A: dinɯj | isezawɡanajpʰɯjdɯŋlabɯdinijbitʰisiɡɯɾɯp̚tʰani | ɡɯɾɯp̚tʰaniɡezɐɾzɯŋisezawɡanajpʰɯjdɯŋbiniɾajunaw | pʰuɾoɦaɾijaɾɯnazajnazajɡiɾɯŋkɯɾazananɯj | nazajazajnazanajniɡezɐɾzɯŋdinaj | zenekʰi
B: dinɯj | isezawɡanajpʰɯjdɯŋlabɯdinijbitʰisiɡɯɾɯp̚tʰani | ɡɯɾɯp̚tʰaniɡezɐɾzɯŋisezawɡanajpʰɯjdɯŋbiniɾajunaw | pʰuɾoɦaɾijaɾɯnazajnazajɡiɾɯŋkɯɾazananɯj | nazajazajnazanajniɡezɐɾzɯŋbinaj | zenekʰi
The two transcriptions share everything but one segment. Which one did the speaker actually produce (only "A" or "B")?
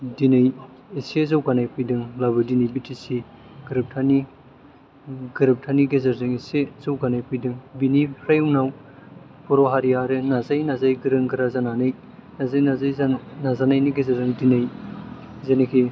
A